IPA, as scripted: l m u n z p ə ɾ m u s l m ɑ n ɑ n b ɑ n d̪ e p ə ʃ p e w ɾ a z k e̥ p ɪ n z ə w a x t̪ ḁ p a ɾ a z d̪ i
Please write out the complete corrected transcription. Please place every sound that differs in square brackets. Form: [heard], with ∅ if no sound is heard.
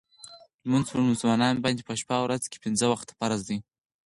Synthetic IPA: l m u n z p ə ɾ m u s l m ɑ n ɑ n b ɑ n d̪ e p ə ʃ p [a] w ɾ a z k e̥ p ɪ n z ə w a x t̪ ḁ p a ɾ a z d̪ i